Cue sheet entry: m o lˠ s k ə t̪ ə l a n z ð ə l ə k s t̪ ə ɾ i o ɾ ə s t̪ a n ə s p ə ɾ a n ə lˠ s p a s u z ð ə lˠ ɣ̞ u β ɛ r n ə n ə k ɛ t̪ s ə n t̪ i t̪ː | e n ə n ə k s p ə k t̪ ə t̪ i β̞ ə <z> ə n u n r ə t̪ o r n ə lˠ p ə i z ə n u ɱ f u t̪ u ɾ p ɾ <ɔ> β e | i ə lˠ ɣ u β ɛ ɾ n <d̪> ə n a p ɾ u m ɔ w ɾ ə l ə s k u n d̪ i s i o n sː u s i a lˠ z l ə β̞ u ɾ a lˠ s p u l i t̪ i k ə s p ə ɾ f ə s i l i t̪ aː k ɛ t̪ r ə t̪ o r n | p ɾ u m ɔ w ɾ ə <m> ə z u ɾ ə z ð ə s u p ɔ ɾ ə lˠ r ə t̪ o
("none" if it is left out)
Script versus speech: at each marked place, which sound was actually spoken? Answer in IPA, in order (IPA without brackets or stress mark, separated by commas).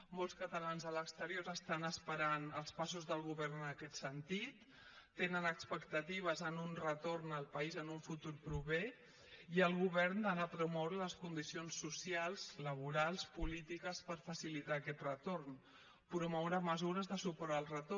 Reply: z, u, d̪, m